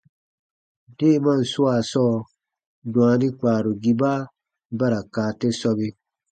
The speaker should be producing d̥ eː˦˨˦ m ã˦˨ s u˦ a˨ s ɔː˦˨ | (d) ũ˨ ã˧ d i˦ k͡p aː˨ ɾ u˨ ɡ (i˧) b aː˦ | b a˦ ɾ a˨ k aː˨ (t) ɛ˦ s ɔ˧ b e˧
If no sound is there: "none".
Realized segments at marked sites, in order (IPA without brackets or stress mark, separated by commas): d, i˧, t